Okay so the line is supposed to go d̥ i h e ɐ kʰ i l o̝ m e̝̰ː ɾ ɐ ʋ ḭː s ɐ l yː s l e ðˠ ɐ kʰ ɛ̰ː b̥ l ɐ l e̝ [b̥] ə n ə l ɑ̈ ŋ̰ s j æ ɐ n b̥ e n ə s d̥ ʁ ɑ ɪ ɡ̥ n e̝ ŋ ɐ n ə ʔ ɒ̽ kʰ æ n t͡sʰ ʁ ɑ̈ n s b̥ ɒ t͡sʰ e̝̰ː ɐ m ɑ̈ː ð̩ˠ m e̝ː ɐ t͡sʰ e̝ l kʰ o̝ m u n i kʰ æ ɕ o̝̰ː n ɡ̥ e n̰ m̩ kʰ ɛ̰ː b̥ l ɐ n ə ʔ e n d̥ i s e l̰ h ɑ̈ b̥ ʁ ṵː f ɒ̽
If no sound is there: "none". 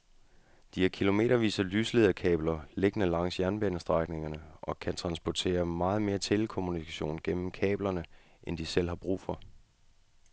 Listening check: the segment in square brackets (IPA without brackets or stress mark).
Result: ɡ̥